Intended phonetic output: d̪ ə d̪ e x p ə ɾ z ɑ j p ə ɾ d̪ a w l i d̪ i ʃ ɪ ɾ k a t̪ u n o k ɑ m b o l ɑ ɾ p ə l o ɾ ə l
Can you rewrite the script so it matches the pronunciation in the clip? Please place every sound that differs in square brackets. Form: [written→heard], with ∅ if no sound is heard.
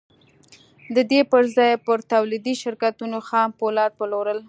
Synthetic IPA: d̪ ə d̪ e [x→∅] p ə ɾ z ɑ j p ə ɾ [d̪→t̪] a w l i d̪ i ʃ ɪ ɾ k a t̪ u n o [k→x] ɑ m [b→p] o l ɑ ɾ p ə l o ɾ ə l